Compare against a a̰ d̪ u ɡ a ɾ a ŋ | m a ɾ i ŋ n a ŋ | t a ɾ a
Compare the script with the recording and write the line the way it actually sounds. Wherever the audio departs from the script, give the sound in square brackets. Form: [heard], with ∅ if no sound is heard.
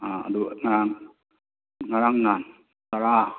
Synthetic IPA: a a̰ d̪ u [ŋ] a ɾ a ŋ | [ŋ] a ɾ [a] ŋ n a [n] | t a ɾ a